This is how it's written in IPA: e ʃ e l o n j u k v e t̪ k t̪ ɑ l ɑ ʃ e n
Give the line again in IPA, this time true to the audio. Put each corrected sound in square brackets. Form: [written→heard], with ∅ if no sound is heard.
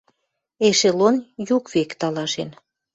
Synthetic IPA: e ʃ e l o n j u k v e [t̪→∅] k t̪ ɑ l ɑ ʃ e n